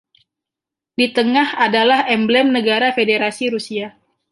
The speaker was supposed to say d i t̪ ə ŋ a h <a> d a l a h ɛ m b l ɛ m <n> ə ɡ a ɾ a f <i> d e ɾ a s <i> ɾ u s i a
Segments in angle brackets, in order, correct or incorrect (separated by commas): correct, correct, incorrect, correct